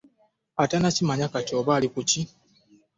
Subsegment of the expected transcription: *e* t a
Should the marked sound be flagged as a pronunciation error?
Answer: yes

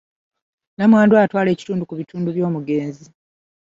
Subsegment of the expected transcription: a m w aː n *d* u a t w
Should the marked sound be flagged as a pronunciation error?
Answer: no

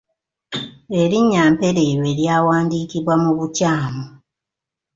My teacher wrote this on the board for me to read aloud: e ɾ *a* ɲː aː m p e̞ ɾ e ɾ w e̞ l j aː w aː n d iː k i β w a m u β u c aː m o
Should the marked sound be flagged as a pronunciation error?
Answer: yes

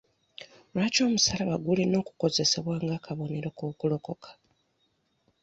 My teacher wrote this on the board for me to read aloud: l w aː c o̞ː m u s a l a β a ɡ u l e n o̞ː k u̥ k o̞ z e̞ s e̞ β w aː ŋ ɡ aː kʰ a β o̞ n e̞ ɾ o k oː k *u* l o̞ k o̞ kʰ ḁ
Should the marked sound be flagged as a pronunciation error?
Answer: no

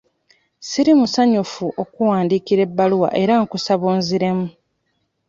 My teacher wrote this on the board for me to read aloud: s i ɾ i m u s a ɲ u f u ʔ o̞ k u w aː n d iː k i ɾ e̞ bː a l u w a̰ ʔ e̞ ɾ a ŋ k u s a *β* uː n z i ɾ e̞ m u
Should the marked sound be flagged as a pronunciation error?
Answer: no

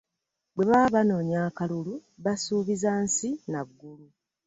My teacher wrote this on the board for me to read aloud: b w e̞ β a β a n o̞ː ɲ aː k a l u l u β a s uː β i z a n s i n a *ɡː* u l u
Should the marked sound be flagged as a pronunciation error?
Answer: no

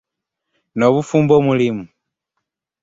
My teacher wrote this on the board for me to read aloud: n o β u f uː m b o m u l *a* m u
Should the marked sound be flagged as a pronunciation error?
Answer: yes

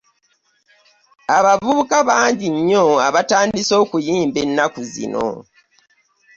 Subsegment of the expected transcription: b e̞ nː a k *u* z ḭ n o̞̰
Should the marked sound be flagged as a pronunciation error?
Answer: no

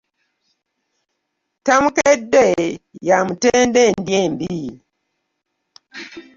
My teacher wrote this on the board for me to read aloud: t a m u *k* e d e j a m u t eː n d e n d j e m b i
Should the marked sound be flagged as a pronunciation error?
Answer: no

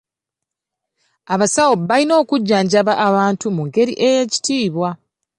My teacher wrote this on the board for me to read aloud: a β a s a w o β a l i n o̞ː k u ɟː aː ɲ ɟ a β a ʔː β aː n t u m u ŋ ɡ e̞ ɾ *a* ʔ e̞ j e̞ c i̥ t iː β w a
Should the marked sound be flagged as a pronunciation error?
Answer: yes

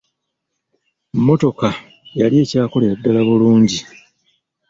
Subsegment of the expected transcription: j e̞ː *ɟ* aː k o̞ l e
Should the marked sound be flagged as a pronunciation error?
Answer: yes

